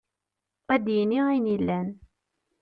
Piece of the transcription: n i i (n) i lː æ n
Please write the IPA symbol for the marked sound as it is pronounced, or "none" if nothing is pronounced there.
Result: n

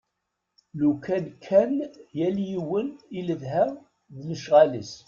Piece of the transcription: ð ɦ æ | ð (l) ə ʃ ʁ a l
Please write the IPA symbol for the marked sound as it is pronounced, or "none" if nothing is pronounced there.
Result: l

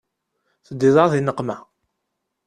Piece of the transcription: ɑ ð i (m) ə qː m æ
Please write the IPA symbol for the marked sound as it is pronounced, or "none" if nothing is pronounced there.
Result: n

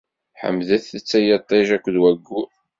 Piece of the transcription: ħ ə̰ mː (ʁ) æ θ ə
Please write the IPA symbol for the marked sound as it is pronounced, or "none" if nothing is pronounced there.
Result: ð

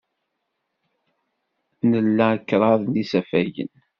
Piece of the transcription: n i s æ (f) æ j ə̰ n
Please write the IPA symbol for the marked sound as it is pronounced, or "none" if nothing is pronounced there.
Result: f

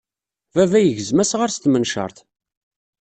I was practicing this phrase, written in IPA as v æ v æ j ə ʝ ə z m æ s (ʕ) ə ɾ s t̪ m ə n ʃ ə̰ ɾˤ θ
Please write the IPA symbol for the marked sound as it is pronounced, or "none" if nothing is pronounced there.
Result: ʁ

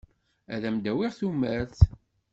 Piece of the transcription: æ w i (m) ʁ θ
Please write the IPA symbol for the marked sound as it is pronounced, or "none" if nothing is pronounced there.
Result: none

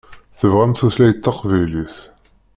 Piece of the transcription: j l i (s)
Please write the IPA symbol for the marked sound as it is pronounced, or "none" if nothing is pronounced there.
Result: θ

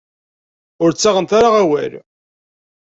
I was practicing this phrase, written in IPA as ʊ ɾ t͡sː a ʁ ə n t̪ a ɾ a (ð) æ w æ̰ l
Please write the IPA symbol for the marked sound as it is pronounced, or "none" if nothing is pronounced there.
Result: ʁ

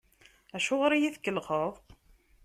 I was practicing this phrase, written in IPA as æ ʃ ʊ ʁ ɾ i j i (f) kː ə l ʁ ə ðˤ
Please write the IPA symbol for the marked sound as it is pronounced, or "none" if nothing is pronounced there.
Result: θ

